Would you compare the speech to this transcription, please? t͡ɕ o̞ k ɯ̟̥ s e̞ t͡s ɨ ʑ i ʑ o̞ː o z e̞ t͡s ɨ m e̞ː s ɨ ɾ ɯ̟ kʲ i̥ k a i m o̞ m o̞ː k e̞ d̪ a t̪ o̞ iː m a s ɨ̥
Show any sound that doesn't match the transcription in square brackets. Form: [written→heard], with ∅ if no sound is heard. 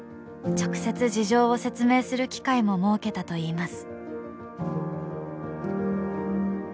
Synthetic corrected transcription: t͡ɕ o̞ k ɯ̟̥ s e̞ t͡s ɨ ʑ i ʑ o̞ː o [z→s] e̞ t͡s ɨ m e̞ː s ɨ ɾ ɯ̟ kʲ i̥ k a i m o̞ m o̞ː k e̞ [d̪→t̪] a t̪ o̞ iː m a s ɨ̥